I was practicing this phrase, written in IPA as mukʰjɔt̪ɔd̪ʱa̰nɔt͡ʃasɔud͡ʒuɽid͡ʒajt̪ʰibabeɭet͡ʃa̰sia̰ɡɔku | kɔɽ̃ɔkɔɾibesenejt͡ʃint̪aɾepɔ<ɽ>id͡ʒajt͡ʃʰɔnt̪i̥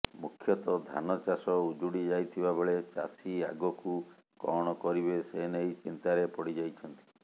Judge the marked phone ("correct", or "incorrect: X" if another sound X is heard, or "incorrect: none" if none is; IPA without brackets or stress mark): correct